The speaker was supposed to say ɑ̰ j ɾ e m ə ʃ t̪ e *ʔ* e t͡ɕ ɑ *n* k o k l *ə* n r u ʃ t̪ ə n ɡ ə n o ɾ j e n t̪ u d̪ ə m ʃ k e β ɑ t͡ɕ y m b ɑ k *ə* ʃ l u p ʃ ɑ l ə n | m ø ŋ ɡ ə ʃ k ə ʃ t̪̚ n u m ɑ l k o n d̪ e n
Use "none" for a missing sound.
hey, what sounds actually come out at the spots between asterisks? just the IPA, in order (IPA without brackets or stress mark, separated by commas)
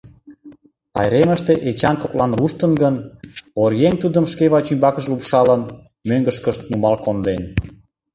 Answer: ʔ, n, ɑ, ə